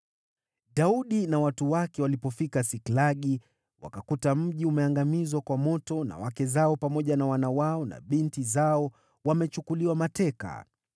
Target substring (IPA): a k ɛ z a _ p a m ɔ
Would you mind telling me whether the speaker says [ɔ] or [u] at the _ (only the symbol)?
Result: ɔ